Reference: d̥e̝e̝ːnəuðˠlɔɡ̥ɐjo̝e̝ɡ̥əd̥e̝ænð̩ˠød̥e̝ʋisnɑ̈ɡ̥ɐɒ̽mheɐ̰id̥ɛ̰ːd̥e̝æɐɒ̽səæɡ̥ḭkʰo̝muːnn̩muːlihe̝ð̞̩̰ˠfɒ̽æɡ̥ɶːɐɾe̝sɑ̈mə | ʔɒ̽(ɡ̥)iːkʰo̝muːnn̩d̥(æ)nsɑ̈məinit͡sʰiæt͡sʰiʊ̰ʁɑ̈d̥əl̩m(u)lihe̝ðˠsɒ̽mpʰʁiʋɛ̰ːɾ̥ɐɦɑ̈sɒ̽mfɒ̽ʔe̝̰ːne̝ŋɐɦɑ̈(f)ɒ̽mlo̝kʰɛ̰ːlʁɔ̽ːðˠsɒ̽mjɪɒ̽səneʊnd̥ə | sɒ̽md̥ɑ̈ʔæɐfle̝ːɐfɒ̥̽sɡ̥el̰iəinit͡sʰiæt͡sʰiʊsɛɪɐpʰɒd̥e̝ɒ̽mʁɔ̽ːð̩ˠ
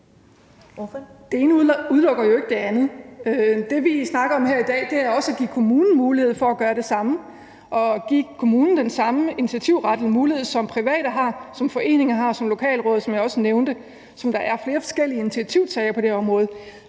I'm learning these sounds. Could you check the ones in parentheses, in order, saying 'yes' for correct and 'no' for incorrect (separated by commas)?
yes, no, no, no